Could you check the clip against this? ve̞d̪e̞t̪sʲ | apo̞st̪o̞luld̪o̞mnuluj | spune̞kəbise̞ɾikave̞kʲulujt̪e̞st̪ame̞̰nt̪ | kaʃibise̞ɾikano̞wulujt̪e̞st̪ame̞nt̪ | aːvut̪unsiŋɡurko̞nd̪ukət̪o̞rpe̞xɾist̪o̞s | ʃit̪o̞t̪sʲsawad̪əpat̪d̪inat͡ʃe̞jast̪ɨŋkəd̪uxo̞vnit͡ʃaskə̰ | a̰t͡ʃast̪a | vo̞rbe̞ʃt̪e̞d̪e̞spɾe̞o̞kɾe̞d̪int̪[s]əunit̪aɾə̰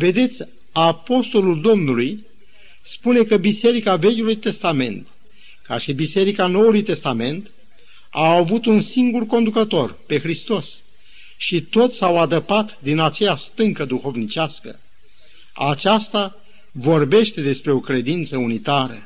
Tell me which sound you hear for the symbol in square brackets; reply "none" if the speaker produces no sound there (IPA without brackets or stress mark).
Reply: s